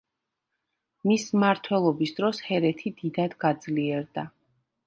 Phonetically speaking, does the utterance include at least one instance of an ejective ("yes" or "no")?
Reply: no